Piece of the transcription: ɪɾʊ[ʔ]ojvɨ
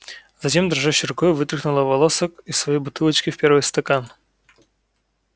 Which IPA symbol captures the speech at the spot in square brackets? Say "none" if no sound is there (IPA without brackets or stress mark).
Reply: k